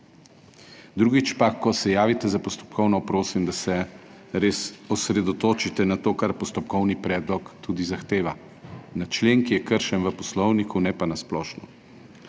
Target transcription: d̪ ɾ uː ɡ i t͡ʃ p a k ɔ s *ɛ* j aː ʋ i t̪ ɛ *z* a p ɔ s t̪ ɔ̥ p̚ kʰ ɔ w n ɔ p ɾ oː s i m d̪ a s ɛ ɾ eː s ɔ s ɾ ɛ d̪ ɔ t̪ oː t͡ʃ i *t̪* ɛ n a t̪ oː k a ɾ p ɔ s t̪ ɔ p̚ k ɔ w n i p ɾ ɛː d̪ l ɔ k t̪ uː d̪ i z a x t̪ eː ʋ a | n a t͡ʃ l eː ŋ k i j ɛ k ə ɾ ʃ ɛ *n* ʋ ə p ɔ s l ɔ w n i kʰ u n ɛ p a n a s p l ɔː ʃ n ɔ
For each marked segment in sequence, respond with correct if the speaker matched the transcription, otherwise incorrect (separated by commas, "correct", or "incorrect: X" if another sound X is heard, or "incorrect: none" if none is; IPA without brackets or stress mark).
correct, correct, correct, correct